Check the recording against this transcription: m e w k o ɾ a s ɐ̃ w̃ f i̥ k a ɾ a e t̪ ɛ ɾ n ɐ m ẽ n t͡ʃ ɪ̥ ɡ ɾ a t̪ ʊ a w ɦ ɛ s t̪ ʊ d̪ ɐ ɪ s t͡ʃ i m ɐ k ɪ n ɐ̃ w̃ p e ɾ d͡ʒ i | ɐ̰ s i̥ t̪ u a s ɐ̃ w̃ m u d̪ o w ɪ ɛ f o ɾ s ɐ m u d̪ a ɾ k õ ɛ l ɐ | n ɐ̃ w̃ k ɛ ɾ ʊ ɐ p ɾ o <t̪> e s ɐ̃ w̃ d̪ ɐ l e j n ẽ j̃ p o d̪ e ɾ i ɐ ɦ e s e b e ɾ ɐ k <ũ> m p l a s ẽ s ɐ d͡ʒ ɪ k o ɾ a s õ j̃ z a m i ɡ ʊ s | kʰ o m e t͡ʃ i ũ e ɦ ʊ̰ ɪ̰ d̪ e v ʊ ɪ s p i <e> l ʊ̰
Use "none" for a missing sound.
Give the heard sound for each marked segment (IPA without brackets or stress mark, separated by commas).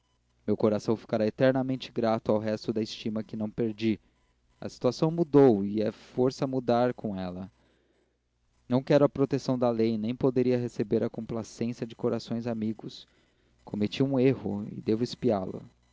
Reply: t̪, õ, a